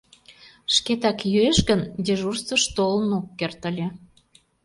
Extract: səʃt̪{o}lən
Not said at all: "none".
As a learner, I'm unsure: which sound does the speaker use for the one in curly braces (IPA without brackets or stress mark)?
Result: o